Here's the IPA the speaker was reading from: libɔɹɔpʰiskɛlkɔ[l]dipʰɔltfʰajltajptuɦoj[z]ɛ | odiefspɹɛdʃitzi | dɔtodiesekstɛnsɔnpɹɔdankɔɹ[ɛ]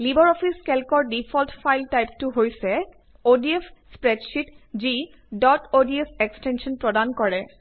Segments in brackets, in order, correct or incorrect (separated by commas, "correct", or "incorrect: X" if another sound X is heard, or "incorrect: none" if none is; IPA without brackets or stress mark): incorrect: ɹ, incorrect: s, correct